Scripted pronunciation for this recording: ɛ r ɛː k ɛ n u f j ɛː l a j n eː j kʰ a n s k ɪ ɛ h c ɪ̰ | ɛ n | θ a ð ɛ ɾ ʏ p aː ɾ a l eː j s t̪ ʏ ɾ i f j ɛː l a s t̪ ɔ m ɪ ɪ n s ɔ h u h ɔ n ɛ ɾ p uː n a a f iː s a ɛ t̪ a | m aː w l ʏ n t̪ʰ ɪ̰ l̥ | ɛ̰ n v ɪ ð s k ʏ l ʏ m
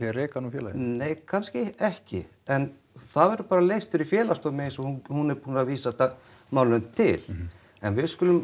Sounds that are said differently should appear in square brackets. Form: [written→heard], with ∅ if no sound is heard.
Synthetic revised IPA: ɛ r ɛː k [ɛ→a] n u f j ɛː l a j n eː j kʰ a n s [k→c] ɪ ɛ h c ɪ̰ | ɛ n | θ a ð ɛ ɾ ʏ p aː ɾ a l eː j s t̪ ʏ ɾ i f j ɛː l a s t̪ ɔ m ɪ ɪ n s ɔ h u h [ɔ→u] n ɛ ɾ p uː n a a [f→v] iː s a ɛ t̪ a | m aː w l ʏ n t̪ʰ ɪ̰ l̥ | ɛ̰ n v ɪ ð s k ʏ l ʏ m